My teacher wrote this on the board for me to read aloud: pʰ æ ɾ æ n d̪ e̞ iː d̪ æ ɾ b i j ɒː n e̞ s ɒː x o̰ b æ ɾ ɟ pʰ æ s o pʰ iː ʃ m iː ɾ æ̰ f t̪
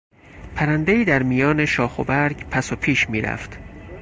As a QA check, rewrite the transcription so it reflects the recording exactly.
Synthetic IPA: pʰ æ ɾ æ n d̪ e̞ iː d̪ æ ɾ m i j ɒː n e̞ ʃ ɒː x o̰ b æ ɾ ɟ pʰ æ s o pʰ iː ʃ m iː ɾ æ̰ f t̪